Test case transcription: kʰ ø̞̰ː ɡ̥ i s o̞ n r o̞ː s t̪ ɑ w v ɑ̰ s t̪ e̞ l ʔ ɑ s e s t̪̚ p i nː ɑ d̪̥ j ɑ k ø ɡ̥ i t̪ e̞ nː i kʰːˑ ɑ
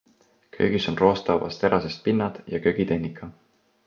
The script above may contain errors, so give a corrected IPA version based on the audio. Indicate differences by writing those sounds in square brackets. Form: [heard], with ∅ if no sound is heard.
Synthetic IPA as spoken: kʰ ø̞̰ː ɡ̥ i s o̞ n r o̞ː s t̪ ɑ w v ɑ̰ s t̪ e̞ [ɾ] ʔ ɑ s e s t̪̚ p i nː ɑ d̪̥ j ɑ k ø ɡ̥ i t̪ e̞ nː i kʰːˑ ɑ